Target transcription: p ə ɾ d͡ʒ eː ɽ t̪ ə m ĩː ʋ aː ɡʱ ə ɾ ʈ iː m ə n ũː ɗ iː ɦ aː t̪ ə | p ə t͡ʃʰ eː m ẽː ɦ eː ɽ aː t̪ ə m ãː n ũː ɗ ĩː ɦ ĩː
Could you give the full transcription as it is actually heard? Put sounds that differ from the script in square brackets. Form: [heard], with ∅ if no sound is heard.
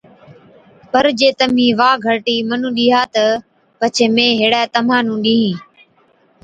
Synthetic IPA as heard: p ə ɾ d͡ʒ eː [∅] t̪ ə m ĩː ʋ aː ɡʱ ə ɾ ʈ iː m ə n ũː ɗ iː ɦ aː t̪ ə | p ə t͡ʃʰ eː m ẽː ɦ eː ɽ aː t̪ ə m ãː n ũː ɗ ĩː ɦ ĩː

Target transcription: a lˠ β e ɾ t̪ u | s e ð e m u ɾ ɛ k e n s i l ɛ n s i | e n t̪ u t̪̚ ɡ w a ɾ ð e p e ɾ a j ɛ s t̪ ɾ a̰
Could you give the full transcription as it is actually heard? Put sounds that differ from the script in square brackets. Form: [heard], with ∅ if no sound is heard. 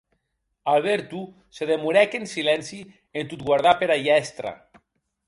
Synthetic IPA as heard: a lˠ β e ɾ t̪ u | s e ð e m u ɾ ɛ k e n s i l ɛ n s i | e n t̪ u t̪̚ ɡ w a ɾ ð [a] p e ɾ a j ɛ s t̪ ɾ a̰

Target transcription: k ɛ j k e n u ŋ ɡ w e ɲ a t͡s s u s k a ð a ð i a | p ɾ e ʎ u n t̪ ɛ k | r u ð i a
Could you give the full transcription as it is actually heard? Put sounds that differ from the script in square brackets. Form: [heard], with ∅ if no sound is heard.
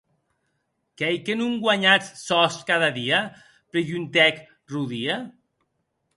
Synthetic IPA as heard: k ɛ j k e n u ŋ ɡ w [a] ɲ a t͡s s [ɔ] s k a ð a ð i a | p ɾ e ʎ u n t̪ ɛ k | r u ð i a

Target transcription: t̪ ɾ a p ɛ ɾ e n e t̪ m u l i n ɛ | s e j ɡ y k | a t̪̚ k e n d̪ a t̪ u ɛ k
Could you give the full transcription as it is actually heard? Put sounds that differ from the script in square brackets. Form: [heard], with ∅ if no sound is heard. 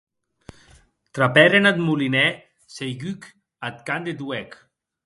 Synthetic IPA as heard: t̪ ɾ a p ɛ ɾ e n [a] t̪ m u l i n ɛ | s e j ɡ y k | a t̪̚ k [a] n d̪ [e] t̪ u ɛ k

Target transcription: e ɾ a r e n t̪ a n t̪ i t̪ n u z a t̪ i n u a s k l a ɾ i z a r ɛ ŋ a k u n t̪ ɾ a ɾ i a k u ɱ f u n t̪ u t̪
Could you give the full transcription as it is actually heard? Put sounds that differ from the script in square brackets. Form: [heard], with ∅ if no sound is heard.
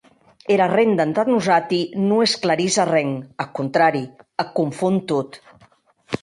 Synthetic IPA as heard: e ɾ a r e n [d̪] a n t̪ [a] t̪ n u z a t̪ i n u [e] s k l a ɾ i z a r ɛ ŋ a k u n t̪ ɾ a ɾ i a k u ɱ f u n t̪ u t̪

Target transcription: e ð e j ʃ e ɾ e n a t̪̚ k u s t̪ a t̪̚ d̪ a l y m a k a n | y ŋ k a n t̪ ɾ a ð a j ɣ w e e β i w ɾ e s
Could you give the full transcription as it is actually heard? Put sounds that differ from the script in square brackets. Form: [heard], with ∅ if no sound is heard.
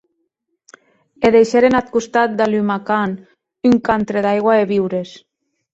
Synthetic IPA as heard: e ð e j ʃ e ɾ e n a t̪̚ k u s t̪ a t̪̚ d̪ a l y m a k a n | y ŋ k a n t̪ ɾ [e] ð a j ɣ w [a] e β i w ɾ e s

